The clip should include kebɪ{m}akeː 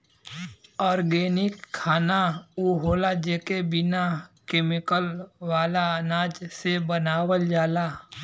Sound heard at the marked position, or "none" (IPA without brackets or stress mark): n